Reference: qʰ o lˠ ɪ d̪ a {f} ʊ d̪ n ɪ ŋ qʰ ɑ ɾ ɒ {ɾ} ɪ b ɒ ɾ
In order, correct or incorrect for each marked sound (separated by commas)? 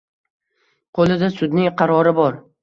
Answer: incorrect, correct